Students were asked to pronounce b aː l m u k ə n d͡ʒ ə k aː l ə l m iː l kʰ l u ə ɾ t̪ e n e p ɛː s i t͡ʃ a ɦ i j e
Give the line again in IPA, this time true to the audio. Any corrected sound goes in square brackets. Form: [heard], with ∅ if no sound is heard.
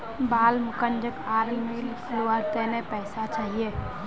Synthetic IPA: b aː l m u k ə n d͡ʒ ə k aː [ɾ] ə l m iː l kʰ l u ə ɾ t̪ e n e p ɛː s [a] t͡ʃ a ɦ i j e